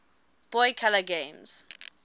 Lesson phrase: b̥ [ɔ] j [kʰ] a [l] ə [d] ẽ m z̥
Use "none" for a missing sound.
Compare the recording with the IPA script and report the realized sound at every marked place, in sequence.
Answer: ɔ, kʰ, l, ɡ

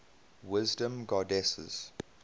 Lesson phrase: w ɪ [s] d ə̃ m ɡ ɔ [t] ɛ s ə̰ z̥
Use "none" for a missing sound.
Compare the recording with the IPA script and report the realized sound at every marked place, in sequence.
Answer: z, d

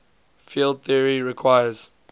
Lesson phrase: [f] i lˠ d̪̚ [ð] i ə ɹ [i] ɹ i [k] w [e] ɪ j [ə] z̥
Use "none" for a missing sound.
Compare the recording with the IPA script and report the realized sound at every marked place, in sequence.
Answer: f, θ, i, kʰ, a, ə

